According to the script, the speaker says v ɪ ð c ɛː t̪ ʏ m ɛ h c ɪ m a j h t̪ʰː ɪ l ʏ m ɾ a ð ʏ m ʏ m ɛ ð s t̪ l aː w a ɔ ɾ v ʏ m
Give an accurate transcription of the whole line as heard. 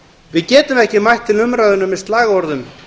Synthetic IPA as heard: v ɪ ð c ɛː t̪ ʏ m ɛ h c ɪ m a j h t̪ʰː ɪ l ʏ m ɾ a ð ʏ n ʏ m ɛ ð s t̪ l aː ɣ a ɔ ɾ ð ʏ m

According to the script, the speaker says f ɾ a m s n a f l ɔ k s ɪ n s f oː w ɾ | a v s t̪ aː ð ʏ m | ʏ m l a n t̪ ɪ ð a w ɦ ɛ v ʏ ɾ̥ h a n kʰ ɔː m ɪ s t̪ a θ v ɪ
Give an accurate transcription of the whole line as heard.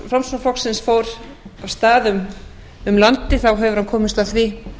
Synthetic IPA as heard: f ɾ a m s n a f l ɔ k s ɪ n s f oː w ɾ | a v s t̪ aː ð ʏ m | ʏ m l a n t̪ ɪ θ a w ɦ ɛ v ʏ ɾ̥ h a n kʰ ɔː m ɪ s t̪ a θ v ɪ

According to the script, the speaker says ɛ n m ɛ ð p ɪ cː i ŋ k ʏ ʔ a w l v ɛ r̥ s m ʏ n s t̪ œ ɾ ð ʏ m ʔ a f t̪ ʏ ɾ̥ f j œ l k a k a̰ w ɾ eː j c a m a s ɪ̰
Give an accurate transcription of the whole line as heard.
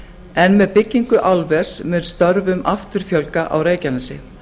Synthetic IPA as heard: ɛ n m ɛ ð p ɪ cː i ŋ k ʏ ʔ a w l v ɛ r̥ s m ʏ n s t̪ œ ɾ v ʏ m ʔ a f t̪ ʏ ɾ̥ f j œ l k a ʔ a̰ w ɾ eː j c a n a s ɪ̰

